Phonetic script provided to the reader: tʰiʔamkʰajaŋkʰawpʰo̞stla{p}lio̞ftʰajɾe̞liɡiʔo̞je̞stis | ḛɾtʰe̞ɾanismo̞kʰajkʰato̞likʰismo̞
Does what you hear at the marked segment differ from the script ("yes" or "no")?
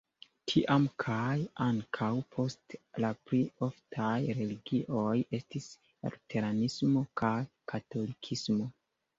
no